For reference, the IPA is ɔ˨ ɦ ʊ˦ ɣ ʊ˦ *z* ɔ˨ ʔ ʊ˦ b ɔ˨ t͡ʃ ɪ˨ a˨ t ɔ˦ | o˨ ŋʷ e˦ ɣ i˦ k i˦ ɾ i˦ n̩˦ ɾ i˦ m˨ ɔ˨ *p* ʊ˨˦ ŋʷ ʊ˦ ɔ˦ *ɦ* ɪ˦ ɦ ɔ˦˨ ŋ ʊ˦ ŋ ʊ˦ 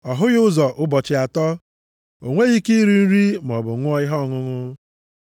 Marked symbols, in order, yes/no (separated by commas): yes, no, no